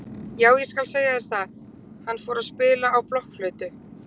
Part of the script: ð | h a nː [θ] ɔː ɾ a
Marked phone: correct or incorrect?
incorrect